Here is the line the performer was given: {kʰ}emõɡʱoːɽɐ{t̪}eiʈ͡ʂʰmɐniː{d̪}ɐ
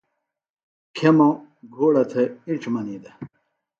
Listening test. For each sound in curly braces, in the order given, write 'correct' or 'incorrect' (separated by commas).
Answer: correct, incorrect, correct